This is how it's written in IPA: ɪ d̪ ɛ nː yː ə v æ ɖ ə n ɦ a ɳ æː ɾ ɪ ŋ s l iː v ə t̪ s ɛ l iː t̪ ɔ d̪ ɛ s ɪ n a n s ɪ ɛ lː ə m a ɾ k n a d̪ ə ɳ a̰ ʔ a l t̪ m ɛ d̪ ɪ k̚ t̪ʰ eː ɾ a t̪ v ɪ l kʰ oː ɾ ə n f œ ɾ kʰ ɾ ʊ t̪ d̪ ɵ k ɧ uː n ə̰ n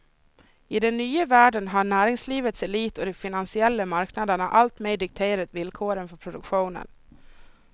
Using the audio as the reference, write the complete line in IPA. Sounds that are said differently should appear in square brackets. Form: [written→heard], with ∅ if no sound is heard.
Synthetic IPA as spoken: ɪ d̪ ɛ nː yː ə v [æ→æː] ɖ ə n ɦ a ɳ æː ɾ ɪ ŋ s l iː v ə t̪ s ɛ l iː t̪ ɔ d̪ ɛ [s→f] ɪ n a n s ɪ ɛ lː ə m a ɾ k n a d̪ ə ɳ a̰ ʔ a l t̪ m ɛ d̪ ɪ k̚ t̪ʰ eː ɾ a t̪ v ɪ l kʰ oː ɾ ə n f œ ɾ [kʰ→pʰ] ɾ ʊ [t̪→∅] d̪ ɵ k ɧ uː n ə̰ n